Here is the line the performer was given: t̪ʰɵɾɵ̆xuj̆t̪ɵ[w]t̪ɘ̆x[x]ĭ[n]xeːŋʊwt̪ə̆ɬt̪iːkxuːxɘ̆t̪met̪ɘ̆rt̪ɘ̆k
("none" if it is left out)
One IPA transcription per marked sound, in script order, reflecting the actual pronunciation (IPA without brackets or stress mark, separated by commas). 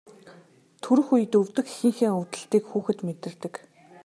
w, x, ŋ